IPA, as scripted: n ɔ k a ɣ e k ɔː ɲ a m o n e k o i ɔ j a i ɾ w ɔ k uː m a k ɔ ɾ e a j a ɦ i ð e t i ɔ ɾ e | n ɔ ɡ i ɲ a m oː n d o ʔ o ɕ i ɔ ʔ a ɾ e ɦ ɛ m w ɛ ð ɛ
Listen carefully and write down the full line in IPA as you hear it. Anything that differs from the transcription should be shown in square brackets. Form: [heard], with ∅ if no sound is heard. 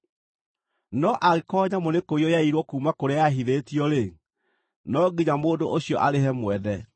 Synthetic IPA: n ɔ [ʔ] a ɣ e k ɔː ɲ a m o n e k o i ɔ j a i ɾ w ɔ k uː m a k [o] ɾ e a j a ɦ i ð e t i ɔ ɾ e | n ɔ ɡ i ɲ a m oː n d o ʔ o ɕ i ɔ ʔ a ɾ e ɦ ɛ m w ɛ ð ɛ